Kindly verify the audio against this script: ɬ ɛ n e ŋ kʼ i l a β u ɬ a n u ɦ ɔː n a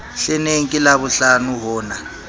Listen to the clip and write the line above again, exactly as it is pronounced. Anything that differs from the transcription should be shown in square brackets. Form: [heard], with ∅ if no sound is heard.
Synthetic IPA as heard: ɬ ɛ n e ŋ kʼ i l a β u ɬ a n u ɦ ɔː n a